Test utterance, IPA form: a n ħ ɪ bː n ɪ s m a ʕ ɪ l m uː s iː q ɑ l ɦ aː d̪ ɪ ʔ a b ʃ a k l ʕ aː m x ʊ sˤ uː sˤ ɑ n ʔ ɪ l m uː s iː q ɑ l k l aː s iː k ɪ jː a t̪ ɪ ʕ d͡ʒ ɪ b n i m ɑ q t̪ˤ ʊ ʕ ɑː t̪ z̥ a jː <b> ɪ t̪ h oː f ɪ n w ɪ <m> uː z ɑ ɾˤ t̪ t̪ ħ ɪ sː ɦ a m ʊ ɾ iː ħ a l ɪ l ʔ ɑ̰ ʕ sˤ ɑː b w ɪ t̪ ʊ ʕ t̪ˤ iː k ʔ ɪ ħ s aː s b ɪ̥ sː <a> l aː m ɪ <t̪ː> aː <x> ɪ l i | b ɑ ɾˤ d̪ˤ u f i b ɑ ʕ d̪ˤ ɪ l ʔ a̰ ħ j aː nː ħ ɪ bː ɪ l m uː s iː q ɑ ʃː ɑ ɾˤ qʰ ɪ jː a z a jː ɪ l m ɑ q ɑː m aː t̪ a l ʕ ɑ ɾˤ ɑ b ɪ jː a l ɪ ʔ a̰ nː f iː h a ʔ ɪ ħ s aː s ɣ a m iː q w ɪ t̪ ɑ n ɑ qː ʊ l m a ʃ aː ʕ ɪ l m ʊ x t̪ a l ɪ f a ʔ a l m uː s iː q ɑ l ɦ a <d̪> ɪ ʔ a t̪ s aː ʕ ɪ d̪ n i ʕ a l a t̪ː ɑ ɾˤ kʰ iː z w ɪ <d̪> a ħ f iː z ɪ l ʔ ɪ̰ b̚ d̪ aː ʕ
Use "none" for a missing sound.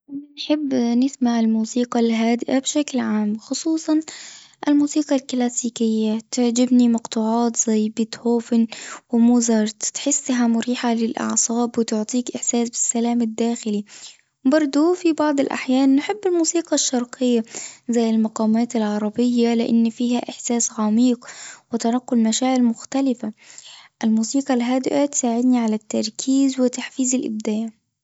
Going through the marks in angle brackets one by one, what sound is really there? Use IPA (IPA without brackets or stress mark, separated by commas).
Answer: b, m, a, d̪ː, x, d̪, t̪